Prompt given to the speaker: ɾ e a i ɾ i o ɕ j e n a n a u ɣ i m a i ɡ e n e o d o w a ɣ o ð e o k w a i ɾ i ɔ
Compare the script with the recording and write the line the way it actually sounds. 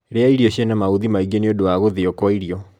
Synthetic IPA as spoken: ɾ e a i ɾ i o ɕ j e n a m a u ð i m a i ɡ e n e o d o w a ɣ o ð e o k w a i ɾ i ɔ